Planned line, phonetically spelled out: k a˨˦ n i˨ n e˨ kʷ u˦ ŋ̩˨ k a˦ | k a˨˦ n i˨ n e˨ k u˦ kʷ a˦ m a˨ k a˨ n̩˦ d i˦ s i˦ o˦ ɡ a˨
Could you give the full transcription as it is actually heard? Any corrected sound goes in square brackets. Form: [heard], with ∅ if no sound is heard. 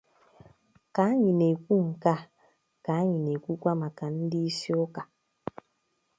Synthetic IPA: k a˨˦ [ɲ] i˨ n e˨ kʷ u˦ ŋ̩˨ k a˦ | k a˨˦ [ɲ] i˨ n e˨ k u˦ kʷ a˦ m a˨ k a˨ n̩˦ d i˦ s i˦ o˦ [k] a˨

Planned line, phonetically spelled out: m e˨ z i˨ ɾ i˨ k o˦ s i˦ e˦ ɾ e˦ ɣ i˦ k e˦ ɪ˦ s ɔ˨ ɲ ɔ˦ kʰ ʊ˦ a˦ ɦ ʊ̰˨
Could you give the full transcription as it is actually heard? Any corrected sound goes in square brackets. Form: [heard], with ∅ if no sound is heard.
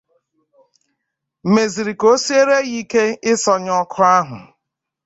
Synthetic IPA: m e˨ z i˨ ɾ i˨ k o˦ s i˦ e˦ ɾ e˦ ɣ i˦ k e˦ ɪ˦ s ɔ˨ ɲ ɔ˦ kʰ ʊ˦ a˦ ɦ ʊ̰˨

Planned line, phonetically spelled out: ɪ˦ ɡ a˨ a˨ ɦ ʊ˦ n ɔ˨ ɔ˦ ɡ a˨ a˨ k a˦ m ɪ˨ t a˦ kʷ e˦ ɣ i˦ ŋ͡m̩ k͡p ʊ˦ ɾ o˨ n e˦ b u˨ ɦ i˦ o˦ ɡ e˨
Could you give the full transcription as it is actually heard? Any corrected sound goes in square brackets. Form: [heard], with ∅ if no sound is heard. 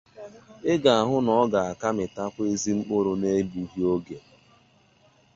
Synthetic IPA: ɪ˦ ɡ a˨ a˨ ɦ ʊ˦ n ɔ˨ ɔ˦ ɡ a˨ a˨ k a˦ m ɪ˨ t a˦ kʷ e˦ [z] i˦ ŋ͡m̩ k͡p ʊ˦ ɾ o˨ n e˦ b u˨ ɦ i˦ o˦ ɡ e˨

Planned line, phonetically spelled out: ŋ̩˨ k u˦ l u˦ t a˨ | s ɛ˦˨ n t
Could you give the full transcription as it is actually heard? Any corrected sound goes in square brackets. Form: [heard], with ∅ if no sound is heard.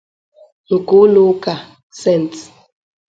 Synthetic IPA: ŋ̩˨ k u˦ l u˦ [k] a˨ | s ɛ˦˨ n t

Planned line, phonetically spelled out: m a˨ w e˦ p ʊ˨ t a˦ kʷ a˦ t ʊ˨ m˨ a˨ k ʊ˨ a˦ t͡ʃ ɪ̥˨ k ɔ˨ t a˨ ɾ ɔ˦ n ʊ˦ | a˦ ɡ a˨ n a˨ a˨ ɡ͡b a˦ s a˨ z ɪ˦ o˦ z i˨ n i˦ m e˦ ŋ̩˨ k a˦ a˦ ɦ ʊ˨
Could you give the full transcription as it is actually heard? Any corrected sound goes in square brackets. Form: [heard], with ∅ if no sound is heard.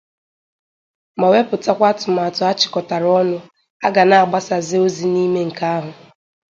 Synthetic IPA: m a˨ w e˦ p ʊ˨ t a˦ kʷ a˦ t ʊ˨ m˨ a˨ [t] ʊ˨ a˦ t͡ʃ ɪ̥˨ k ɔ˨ t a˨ ɾ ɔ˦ n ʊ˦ | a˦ ɡ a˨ n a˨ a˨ ɡ͡b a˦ s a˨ z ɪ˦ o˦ z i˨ n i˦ m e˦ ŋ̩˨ k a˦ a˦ ɦ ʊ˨

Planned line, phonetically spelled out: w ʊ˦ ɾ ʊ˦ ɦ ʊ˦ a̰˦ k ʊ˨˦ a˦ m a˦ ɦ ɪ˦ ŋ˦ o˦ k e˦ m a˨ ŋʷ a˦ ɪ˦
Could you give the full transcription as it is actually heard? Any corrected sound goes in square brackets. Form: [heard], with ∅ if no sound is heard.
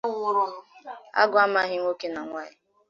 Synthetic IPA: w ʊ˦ ɾ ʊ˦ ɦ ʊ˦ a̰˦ [ɡ] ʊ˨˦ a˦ m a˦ ɦ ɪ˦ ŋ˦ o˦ k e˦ [n] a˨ ŋʷ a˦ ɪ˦

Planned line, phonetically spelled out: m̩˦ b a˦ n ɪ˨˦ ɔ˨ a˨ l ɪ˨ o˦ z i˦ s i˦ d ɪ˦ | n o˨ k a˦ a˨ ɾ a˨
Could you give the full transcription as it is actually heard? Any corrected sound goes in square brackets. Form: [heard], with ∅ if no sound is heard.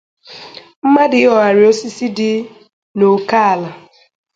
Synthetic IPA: m̩˦ [m] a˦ [d] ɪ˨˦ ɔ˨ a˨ [ɾ] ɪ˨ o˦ [s] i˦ s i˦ d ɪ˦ | n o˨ k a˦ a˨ [l] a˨

